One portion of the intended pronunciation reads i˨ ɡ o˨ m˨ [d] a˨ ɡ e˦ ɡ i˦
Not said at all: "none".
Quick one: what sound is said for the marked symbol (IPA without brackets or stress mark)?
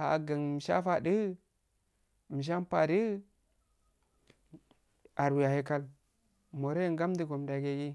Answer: d